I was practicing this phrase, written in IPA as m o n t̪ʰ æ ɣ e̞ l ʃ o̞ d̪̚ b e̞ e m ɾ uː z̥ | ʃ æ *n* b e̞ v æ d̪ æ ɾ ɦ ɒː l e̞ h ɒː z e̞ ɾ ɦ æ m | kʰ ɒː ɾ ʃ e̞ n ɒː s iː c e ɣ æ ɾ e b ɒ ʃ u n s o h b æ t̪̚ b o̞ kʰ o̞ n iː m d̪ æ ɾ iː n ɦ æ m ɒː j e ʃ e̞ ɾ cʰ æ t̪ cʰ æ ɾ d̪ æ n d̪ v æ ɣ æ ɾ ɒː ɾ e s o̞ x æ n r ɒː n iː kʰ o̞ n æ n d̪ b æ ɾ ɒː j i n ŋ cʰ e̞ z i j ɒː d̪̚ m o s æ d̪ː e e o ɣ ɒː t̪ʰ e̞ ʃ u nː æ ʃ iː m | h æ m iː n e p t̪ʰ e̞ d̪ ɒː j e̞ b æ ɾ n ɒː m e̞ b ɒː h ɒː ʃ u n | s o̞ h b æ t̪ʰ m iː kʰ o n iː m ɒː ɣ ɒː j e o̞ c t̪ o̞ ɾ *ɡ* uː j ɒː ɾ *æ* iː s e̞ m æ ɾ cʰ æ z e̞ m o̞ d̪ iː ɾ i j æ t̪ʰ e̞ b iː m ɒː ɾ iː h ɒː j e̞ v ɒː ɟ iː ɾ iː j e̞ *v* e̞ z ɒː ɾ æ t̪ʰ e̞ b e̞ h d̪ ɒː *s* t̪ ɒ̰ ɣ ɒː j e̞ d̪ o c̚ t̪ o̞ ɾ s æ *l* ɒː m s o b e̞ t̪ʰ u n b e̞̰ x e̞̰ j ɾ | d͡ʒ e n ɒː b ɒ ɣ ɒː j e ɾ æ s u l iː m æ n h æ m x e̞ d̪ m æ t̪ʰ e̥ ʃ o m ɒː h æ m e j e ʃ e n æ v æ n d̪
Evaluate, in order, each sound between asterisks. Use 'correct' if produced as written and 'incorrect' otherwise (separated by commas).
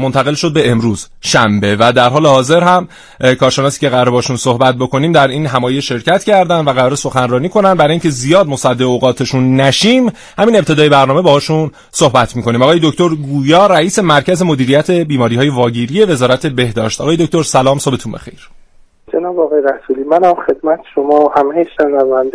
incorrect, correct, correct, correct, incorrect, correct